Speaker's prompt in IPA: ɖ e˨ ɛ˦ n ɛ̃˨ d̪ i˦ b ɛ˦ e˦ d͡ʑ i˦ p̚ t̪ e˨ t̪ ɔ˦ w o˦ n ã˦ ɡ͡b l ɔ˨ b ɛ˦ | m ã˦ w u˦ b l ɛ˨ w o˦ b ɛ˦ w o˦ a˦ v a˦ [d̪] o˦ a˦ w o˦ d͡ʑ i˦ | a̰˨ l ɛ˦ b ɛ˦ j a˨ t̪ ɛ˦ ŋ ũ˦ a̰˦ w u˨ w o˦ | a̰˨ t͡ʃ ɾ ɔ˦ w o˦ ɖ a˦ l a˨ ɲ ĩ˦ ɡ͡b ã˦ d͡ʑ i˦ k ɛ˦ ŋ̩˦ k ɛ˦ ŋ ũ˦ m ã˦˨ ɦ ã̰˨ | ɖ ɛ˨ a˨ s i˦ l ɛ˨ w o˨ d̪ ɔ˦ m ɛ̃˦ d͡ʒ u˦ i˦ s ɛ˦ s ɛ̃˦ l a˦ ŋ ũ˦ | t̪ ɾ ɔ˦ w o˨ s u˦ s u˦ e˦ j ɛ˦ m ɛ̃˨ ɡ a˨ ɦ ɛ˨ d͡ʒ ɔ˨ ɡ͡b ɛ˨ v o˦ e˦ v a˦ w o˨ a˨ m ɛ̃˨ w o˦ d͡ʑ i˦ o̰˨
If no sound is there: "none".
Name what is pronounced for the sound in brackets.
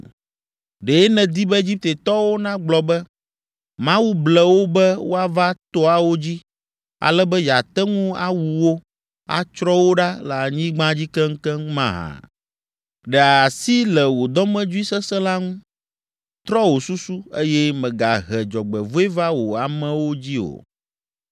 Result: t̪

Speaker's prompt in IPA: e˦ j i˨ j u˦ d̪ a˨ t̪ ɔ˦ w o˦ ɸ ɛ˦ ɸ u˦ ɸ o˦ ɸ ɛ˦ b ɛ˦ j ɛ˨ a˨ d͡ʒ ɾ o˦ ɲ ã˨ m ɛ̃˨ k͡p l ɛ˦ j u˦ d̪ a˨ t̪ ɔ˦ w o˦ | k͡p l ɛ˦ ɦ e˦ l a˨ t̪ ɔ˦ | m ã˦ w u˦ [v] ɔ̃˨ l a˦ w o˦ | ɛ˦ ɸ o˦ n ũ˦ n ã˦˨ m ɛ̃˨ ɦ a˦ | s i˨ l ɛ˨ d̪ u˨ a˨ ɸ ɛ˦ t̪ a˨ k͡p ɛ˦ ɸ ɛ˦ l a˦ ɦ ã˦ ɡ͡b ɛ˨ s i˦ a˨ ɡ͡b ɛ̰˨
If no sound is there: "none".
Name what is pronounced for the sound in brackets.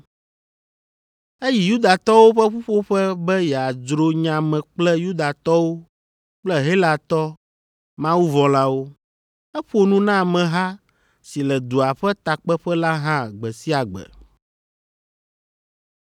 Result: v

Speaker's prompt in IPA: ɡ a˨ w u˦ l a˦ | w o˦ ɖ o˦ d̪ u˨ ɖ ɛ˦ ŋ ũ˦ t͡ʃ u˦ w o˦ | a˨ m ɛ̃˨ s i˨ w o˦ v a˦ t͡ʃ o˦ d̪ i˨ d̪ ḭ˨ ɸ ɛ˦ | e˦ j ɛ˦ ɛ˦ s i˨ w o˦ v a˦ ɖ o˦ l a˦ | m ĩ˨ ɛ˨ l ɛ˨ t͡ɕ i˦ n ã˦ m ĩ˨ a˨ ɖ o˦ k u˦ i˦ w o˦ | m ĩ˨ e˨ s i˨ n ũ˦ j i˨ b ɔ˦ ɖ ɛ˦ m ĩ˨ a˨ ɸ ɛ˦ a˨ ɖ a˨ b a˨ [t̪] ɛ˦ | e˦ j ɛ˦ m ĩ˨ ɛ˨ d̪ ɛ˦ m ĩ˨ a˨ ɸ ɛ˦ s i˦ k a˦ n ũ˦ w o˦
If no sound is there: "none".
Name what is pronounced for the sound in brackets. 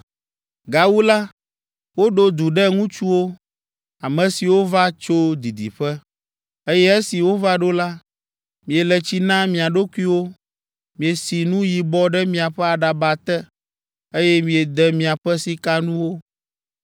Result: t̪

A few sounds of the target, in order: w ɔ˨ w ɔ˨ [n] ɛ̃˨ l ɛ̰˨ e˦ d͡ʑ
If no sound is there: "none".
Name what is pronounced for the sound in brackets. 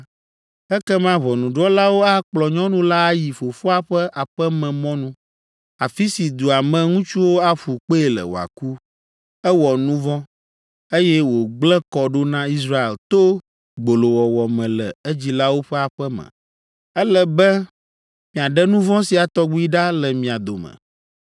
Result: m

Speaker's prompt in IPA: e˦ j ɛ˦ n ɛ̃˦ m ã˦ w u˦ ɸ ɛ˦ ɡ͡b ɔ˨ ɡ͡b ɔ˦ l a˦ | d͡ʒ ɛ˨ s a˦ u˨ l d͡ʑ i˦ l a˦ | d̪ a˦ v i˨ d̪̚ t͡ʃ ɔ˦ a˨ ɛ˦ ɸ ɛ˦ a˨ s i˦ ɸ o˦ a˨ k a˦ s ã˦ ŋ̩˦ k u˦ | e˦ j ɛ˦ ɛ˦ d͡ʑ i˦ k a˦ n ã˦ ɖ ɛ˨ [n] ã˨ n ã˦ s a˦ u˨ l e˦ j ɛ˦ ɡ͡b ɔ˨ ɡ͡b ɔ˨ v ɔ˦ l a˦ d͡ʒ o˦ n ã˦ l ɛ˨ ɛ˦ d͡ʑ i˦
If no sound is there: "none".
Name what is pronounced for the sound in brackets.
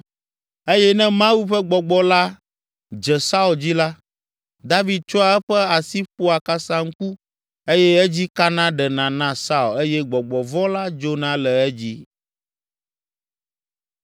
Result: n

